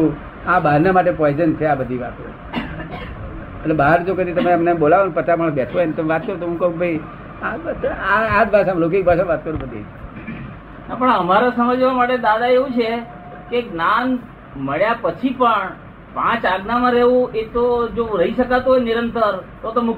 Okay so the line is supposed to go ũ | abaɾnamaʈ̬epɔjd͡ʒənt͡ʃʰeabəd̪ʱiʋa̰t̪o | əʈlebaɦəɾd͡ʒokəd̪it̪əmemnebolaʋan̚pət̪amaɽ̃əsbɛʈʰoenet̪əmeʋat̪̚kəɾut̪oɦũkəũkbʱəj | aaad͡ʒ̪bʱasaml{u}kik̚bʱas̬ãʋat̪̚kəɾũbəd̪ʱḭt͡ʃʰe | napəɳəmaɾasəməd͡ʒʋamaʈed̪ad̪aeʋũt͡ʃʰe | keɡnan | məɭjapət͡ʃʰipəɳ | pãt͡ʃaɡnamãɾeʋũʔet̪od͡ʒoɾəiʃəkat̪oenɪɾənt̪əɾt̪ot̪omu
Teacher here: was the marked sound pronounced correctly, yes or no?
no